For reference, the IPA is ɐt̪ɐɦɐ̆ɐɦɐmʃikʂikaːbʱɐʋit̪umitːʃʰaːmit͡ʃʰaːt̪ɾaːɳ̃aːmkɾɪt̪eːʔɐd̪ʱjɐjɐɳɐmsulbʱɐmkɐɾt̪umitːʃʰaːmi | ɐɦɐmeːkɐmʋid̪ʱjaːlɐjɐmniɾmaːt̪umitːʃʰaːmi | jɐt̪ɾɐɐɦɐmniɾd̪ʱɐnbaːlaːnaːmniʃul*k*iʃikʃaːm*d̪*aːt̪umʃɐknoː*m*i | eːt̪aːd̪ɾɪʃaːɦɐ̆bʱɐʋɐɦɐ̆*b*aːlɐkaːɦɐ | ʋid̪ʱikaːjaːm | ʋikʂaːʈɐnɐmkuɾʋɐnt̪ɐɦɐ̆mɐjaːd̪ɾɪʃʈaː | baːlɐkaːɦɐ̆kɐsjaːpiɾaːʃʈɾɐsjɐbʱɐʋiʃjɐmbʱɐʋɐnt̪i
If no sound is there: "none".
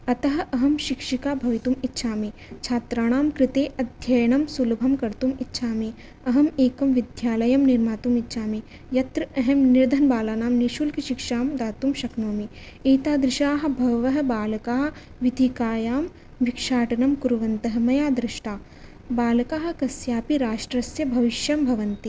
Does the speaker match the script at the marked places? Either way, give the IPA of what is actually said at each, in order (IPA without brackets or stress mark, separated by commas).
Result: k, d̪, m, b